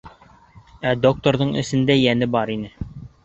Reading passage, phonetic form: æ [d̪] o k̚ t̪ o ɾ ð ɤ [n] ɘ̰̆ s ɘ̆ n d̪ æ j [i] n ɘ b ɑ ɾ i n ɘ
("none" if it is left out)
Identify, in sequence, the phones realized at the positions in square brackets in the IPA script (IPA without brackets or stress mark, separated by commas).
d̪, ɴ, æ